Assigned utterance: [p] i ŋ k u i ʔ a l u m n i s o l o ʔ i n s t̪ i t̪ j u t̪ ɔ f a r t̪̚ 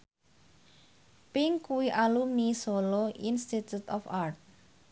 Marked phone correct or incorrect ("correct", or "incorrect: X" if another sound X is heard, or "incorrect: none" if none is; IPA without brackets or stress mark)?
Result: correct